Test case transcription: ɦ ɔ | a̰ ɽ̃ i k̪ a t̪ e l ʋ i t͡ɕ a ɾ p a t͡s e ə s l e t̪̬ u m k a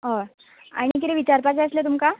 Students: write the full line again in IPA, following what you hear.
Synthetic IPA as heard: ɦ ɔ | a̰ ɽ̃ i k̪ i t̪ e ʋ i t͡ɕ a ɾ p a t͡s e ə s l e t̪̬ u m k a